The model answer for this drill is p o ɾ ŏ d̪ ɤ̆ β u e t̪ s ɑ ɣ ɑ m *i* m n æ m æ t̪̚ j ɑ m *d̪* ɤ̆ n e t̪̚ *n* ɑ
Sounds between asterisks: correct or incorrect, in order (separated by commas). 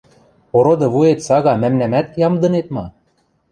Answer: incorrect, correct, incorrect